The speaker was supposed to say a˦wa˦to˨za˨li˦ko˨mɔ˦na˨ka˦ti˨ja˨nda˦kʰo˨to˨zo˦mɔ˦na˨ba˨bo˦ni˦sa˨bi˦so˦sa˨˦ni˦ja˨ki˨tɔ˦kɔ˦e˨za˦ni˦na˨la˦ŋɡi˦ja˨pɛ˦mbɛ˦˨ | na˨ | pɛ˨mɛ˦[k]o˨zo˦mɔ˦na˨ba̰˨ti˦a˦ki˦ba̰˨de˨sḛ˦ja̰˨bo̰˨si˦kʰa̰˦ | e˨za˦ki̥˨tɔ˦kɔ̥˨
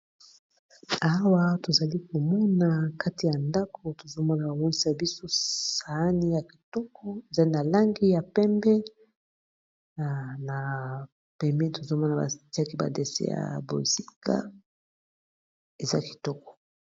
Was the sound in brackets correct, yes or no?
no